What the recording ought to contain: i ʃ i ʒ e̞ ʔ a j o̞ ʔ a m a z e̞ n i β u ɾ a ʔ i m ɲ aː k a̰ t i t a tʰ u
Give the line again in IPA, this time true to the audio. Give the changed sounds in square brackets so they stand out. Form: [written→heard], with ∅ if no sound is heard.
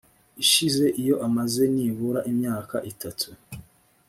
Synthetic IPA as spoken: i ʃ i [ʒ→z] e̞ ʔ [a→i] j o̞ ʔ a m a z e̞ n i β u ɾ a ʔ i m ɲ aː k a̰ [t→ʔ] i t a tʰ u